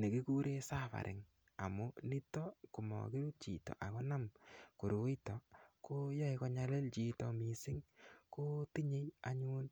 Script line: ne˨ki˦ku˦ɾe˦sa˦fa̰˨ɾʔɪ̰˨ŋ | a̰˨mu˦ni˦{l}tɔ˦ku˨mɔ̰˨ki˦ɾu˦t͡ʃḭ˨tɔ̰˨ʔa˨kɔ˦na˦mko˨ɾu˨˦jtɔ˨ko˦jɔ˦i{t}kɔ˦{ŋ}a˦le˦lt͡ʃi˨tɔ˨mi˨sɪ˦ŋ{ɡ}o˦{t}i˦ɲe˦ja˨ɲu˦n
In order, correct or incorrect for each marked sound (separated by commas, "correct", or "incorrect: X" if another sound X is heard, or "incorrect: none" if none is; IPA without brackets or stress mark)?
incorrect: none, incorrect: none, incorrect: ɲ, incorrect: k, correct